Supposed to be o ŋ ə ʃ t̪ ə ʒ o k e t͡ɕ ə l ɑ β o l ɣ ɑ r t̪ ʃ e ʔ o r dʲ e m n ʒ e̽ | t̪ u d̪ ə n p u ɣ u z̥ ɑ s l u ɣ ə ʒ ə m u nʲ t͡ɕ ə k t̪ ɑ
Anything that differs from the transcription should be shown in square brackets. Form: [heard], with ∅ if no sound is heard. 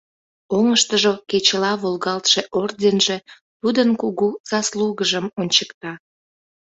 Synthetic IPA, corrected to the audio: o ŋ ə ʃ t̪ ə ʒ o k e t͡ɕ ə l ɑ β o l ɣ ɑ [l] t̪ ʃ e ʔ o r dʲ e [∅] n ʒ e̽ | t̪ u d̪ ə n [k] u ɣ u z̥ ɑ s l u ɣ ə ʒ ə m [o] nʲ t͡ɕ ə k t̪ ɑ

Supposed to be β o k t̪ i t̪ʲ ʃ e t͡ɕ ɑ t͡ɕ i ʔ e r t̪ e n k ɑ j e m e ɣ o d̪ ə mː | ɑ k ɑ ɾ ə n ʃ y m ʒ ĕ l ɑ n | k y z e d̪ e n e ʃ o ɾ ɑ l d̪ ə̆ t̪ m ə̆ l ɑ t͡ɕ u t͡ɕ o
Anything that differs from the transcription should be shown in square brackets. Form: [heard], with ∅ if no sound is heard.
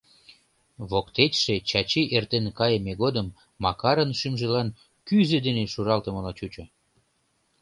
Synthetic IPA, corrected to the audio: β o k t̪ [e] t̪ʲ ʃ e t͡ɕ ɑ t͡ɕ i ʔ e r t̪ e n k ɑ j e m e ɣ o d̪ ə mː | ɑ k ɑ ɾ ə n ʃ y m ʒ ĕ l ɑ n | k y z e d̪ e n e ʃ [u] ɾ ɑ l [t̪] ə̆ [∅] m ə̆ l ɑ t͡ɕ u t͡ɕ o

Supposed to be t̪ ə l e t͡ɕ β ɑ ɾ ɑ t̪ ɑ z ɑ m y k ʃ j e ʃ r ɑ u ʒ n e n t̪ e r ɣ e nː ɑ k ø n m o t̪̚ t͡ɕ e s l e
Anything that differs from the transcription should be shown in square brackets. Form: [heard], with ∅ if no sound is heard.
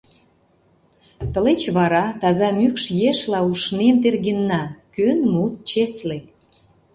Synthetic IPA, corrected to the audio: t̪ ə l e t͡ɕ β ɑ ɾ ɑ t̪ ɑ z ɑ m y k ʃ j e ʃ [l] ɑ u [ʃ] n e n t̪ e r ɣ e nː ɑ k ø n m [u] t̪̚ t͡ɕ e s l e

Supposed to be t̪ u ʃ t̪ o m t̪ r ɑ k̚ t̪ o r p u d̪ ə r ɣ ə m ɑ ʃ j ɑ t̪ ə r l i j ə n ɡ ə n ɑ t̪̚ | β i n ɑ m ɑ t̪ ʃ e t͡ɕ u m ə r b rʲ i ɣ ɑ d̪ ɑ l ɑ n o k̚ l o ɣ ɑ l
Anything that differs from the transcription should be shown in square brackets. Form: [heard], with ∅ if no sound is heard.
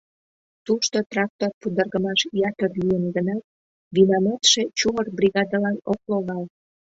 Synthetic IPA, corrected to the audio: t̪ u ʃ t̪ o [∅] t̪ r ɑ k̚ t̪ o r p u d̪ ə r ɣ ə m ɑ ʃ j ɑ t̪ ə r l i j ə n ɡ ə n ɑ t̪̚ | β i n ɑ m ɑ t̪ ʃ e t͡ɕ u m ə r b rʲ i ɣ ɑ d̪ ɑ l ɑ n o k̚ l o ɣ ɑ l

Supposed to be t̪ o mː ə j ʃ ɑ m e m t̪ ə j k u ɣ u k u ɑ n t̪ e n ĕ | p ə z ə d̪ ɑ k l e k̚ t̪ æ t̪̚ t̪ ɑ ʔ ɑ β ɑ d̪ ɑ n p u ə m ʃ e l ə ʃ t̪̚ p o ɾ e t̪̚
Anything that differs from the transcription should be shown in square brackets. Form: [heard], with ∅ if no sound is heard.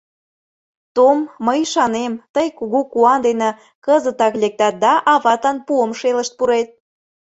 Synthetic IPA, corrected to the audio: t̪ o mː ə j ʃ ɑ [n] e m t̪ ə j k u ɣ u k u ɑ n [d̪] e n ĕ | [k] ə z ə [t̪] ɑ k l e k̚ t̪ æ t̪̚ [d̪] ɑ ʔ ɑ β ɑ [t̪] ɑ n p u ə m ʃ e l ə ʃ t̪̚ p [u] ɾ e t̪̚

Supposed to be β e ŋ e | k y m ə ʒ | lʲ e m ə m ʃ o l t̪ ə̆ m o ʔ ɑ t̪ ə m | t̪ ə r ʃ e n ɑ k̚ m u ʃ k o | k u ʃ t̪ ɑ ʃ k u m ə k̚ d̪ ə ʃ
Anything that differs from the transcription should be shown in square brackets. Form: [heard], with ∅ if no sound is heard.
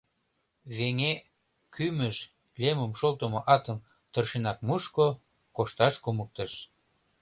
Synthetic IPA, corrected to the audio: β e ŋ e | k y m ə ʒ | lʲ e m ə m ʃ o l t̪ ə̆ m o ʔ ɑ t̪ ə m | t̪ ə r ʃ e n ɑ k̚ m u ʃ k o | k [o] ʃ t̪ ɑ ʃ k u m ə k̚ [t̪] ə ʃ

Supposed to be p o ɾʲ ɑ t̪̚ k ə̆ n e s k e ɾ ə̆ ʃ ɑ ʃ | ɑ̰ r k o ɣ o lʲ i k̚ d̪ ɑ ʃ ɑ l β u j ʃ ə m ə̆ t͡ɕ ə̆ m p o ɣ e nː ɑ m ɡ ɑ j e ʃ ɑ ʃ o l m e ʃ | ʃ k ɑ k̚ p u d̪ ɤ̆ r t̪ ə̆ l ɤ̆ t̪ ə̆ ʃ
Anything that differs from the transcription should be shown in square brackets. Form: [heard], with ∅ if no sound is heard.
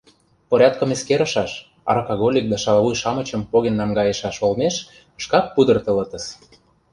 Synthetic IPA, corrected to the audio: p o ɾʲ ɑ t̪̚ k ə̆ [m] e s k e ɾ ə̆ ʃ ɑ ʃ | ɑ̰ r k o ɣ o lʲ i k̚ d̪ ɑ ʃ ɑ l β u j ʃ [ɑ] m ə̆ t͡ɕ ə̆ m p o ɣ e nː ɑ m ɡ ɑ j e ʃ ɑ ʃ o l m e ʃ | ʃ k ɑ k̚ p u d̪ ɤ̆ r t̪ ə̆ l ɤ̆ t̪ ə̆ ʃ

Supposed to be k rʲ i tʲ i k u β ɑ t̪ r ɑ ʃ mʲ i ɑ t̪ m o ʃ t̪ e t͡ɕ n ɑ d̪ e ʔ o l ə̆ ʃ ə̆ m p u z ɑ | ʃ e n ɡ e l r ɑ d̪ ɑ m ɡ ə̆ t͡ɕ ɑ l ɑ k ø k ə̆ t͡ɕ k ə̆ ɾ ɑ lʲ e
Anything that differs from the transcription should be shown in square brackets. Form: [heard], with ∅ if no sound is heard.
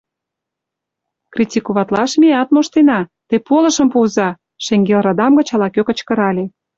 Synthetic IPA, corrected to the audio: k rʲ i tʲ i k u β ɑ t̪ [l] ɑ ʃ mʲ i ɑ t̪ m o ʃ t̪ e [∅] n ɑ [t̪] e [p] o l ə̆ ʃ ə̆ m p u z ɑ | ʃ e [ŋ] ɡ e l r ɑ d̪ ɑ m ɡ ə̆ t͡ɕ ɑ l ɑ k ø k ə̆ t͡ɕ k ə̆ ɾ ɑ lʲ e

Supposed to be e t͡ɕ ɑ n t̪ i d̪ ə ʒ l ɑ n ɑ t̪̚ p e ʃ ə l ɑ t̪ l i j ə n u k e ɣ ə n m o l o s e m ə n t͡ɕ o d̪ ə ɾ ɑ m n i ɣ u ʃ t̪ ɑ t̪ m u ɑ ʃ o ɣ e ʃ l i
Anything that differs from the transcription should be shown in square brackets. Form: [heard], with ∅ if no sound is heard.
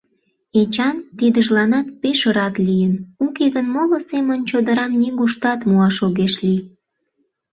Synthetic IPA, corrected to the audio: e t͡ɕ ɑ n t̪ i d̪ ə ʒ l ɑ n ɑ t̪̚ p e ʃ ə [ɾ] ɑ t̪ l i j ə n u k e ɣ ə n m o l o s e m ə n t͡ɕ o d̪ ə ɾ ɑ m n i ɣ u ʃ t̪ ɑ t̪ m u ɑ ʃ o ɣ e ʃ l i

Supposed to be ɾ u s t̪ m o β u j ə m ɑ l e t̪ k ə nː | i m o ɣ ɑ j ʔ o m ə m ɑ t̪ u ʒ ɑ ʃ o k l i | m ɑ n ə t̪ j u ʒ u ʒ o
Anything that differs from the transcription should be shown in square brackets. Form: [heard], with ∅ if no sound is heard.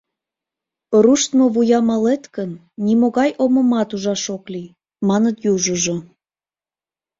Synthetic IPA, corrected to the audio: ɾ u [ʃ] t̪ m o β u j [ɑ] m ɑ l e t̪ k ə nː | i m o ɣ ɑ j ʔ o m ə m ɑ t̪ u ʒ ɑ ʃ o k l i | m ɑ n ə t̪ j u ʒ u ʒ o

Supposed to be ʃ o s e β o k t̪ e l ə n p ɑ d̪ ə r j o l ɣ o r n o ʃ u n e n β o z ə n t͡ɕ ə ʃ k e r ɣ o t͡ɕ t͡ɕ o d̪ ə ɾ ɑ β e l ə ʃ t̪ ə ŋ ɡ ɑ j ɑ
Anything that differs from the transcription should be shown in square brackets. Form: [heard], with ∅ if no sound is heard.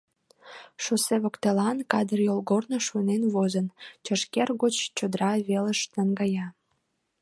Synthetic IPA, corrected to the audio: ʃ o s e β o k t̪ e l [ɑ] n [k] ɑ d̪ ə r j o l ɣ o r n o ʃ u n e n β o z ə n t͡ɕ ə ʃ k e r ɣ o t͡ɕ t͡ɕ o d̪ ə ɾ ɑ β e l ə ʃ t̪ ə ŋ ɡ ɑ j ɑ

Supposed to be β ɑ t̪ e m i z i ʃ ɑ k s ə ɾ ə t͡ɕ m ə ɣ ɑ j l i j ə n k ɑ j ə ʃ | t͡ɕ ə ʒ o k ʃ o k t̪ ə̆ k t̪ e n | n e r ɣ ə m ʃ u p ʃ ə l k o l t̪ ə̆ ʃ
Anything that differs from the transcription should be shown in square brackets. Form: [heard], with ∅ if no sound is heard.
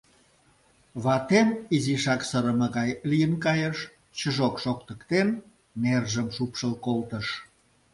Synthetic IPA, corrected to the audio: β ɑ t̪ e m i z i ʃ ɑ k s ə ɾ ə [∅] m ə ɣ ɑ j l i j ə n k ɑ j ə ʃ | t͡ɕ ə ʒ o k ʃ o k t̪ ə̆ k t̪ e n | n e r [ʒ] ə m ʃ u p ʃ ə l k o l t̪ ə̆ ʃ

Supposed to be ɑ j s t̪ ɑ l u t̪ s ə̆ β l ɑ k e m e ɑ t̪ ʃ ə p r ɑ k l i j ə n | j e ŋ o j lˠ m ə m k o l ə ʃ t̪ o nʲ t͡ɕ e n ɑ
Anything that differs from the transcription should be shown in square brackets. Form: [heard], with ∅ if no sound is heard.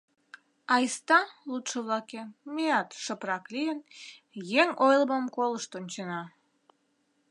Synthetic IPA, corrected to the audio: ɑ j s t̪ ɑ l u t̪ [ʃ] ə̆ β l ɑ k e m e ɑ t̪ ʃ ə p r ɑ k l i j ə n | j e ŋ o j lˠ m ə m k o l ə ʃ t̪ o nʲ t͡ɕ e n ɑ

